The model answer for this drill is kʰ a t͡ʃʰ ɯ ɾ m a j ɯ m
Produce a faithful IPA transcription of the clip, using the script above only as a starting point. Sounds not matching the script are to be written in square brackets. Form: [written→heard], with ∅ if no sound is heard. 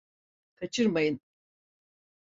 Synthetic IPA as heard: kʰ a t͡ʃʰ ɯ ɾ m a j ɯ [m→n]